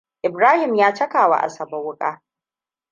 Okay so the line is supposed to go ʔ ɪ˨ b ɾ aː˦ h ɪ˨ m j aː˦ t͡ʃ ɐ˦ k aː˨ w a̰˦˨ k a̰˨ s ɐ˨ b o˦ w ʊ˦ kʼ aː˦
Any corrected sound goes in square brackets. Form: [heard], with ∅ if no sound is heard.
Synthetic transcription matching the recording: ʔ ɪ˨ b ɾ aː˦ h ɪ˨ m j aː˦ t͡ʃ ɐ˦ k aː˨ w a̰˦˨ [ʔ] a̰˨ s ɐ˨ b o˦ w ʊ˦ kʼ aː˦